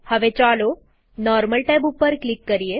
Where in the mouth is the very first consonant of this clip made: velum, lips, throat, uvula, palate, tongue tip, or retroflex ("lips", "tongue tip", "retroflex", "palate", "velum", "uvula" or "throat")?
throat